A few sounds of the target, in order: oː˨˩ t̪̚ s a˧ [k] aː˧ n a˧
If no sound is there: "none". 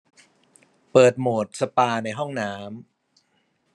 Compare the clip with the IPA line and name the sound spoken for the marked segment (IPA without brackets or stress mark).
p